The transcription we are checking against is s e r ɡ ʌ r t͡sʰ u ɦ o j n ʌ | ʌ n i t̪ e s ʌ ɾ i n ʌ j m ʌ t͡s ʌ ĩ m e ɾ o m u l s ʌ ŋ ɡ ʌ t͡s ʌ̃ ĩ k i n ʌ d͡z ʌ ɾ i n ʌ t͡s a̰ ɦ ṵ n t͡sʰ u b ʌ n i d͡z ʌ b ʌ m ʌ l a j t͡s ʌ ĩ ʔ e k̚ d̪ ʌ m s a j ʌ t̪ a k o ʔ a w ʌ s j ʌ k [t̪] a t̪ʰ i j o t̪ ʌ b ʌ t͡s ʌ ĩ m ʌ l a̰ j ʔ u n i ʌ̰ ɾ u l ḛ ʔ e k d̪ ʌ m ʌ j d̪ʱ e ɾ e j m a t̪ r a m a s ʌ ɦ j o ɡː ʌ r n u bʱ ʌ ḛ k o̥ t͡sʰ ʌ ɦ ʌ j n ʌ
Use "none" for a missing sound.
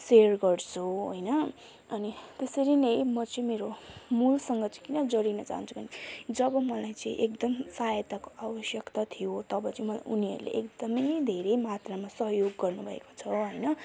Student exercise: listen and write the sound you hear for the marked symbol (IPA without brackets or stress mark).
t̪